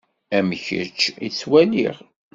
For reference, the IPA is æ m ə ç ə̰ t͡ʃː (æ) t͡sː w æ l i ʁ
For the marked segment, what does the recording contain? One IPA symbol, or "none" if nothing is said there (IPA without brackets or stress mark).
i